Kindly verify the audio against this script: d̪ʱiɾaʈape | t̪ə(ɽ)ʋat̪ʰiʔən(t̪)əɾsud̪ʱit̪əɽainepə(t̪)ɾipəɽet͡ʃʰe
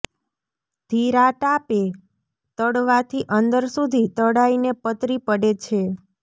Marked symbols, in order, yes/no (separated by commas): yes, no, yes